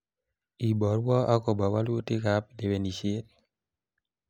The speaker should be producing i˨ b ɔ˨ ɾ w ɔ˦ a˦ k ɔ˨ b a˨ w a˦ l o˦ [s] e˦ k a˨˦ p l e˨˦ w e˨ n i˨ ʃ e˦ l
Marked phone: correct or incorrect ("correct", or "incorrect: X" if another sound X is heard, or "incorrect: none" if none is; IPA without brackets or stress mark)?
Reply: incorrect: t